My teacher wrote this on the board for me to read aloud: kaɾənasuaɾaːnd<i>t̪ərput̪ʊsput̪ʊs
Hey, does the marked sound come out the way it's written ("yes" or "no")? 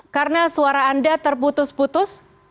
no